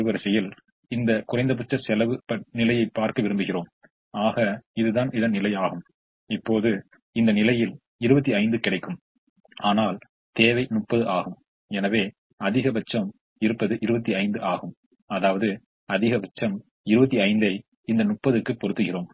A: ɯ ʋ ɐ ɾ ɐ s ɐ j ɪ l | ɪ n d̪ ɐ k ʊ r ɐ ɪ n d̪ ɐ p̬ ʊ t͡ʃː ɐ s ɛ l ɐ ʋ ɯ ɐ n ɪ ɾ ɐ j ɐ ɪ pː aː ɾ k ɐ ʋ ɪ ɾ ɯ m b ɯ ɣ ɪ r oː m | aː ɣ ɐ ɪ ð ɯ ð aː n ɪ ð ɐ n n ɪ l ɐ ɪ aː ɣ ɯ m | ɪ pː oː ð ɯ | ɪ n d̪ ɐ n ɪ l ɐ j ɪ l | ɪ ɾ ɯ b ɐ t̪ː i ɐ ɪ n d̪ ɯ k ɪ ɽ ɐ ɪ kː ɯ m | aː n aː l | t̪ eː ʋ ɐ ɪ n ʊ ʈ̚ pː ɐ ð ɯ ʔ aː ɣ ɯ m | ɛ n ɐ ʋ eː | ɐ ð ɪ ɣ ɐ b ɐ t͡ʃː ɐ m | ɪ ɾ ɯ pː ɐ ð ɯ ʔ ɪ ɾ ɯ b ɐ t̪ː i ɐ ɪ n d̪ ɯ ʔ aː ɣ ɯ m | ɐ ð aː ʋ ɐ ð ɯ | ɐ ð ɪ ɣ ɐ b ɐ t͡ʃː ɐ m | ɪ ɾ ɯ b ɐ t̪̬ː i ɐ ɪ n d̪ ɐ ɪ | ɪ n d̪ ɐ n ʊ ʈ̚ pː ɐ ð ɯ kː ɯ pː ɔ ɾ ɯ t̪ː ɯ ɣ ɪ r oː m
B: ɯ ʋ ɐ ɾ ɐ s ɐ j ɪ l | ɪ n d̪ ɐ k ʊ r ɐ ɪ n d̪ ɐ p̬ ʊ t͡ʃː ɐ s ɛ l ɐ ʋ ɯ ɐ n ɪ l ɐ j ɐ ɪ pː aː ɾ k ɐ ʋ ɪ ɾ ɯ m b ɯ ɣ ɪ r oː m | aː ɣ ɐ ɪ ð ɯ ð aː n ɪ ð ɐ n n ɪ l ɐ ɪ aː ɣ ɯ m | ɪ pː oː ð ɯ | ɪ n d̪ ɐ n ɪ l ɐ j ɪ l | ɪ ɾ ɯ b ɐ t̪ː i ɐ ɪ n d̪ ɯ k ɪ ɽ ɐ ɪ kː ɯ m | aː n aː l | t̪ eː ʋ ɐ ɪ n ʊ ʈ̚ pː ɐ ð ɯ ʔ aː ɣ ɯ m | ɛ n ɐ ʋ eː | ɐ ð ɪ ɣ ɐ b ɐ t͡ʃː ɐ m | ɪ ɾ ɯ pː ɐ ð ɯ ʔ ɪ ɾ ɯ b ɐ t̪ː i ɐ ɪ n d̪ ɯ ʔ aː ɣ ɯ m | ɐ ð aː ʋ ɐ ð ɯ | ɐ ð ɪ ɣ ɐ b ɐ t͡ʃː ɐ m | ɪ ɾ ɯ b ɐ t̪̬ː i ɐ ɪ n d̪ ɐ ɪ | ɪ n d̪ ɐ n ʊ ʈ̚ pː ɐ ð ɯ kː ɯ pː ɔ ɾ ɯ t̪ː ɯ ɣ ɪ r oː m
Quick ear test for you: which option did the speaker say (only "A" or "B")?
B